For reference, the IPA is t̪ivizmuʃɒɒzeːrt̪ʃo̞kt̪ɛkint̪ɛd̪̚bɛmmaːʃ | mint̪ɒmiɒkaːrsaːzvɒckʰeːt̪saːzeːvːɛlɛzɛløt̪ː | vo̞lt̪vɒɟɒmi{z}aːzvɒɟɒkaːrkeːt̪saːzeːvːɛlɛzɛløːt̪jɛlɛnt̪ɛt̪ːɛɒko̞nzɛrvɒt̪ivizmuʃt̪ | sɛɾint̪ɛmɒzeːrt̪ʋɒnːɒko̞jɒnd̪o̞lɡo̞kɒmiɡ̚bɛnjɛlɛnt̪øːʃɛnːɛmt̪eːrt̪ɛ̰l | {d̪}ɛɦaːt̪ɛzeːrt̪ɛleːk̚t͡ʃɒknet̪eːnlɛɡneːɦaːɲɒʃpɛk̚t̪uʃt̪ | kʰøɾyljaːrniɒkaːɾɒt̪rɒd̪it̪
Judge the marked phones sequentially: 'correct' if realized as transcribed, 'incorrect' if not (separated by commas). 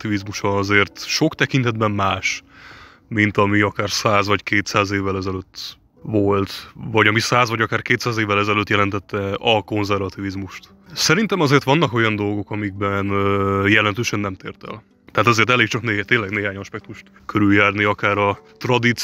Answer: incorrect, incorrect